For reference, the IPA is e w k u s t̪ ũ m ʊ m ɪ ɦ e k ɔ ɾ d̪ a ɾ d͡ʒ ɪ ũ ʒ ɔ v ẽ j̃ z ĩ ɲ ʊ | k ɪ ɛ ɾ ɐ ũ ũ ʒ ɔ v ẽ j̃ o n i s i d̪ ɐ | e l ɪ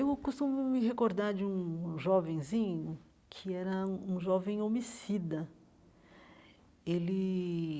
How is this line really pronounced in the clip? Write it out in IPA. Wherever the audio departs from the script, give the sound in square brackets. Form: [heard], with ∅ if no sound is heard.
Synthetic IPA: e w k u s t̪ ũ m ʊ m ɪ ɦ e k [o] ɾ d̪ a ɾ d͡ʒ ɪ ũ ʒ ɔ v ẽ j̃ z ĩ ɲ ʊ | [kʰ] ɪ ɛ ɾ ɐ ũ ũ ʒ ɔ v ẽ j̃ o [m] i s i d̪ ɐ | e l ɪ